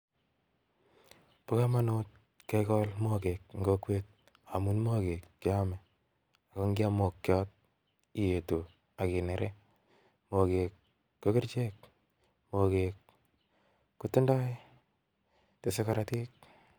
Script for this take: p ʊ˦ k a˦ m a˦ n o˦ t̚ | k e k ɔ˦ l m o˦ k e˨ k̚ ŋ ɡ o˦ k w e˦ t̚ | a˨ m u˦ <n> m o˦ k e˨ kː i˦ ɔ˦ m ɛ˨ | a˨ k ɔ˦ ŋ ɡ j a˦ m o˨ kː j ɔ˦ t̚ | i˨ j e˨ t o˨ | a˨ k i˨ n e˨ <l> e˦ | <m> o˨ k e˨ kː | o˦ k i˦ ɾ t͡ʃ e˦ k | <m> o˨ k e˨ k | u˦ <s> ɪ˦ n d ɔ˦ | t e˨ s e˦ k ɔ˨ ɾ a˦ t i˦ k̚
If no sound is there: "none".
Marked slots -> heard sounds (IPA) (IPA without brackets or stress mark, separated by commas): n, ɾ, m, m, t